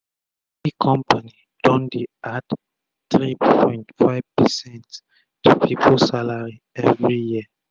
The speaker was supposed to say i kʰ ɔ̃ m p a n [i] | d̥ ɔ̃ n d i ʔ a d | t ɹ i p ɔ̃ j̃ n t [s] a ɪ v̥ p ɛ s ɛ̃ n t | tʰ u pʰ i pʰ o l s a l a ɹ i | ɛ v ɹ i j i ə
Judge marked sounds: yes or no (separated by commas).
yes, no